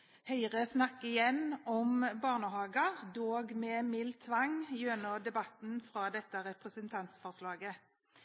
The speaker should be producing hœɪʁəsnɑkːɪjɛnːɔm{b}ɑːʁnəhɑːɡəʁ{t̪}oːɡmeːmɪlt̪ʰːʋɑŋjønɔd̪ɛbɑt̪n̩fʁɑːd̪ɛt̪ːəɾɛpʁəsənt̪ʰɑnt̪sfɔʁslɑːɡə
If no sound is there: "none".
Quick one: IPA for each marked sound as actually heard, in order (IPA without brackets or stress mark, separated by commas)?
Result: b, d̪